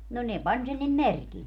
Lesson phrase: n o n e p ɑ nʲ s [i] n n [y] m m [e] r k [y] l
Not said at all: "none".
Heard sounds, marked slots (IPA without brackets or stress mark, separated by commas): e, i, e, i